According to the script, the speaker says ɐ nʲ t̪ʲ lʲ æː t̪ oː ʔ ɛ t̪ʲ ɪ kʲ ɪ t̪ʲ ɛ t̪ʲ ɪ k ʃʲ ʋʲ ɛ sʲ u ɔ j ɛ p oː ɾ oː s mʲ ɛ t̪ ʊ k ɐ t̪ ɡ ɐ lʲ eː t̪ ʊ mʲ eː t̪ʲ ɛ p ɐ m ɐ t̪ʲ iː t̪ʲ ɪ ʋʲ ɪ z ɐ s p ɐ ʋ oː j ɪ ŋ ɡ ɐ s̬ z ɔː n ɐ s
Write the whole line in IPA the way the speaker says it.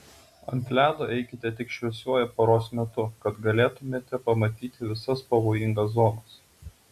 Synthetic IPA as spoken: ɐ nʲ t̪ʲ lʲ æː d̪ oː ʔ ɛ ɪ kʲ ɪ t̪ʲ ɛ t̪ʲ ɪ k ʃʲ ʋʲ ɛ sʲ u ɔ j ɛ p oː ɾ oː s mʲ ɛ t̪ ʊ k ɐ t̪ ɡ ɐ lʲ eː t̪ ʊ mʲ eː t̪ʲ ɛ p ɐ m ɐ t̪ʲ iː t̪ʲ ɪ ʋʲ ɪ s ɐ s p ɐ ʋ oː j ɪ ŋ ɡ ɐ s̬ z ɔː n ɐ s